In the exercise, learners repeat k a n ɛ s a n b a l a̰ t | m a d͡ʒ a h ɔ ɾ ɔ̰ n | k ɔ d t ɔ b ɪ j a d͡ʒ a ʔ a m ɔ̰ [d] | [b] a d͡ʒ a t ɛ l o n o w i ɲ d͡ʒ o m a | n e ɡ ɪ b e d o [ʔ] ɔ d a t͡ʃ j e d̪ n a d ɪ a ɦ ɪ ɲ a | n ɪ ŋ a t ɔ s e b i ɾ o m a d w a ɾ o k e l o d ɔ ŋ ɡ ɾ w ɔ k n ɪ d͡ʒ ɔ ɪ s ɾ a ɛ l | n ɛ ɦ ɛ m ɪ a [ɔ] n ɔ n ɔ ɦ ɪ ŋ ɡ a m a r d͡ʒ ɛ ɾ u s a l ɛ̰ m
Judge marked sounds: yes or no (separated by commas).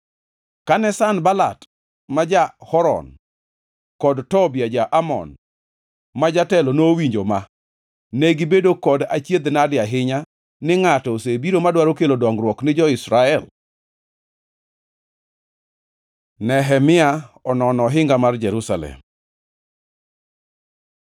no, no, no, yes